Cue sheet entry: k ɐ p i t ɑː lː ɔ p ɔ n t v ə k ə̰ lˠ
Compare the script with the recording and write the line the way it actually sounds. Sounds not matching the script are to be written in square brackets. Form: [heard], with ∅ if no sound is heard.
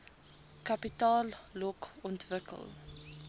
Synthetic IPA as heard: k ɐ p i t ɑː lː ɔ [k] ɔ n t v ə k ə̰ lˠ